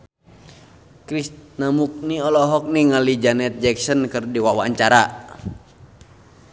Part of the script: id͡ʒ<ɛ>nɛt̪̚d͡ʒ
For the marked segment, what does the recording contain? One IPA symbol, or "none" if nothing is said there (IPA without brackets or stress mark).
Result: a